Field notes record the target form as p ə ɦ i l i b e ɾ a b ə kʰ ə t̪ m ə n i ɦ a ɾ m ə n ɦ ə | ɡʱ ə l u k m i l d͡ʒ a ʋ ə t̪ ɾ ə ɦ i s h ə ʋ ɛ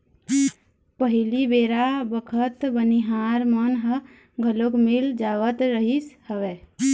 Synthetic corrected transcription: p ə ɦ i l i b e ɾ a b ə kʰ ə t̪ b ə n i ɦ a ɾ m ə n ɦ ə | ɡʱ ə l o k m i l d͡ʒ a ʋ ə t̪ ɾ ə ɦ i s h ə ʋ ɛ